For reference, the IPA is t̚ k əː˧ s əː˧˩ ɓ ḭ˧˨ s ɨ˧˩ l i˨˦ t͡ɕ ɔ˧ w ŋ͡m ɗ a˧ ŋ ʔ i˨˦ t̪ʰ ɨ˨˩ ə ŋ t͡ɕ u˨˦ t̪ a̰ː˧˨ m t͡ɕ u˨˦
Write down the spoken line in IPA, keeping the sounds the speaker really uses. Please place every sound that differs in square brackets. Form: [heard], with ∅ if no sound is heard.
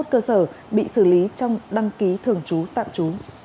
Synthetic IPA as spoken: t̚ k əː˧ s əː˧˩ ɓ ḭ˧˨ s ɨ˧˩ l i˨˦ t͡ɕ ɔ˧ w ŋ͡m ɗ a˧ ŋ [k] i˨˦ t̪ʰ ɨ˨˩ ə ŋ t͡ɕ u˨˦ t̪ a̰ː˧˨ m t͡ɕ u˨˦